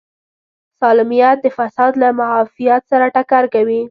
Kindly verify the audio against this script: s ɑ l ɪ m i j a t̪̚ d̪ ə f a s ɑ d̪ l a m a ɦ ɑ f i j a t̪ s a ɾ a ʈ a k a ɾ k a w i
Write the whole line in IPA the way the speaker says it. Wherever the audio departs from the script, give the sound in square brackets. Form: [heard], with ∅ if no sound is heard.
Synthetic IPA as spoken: s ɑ l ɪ m i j a t̪̚ d̪ ə f a s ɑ d̪ l a m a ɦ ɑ f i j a t̪ s a ɾ a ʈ a k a ɾ k a w i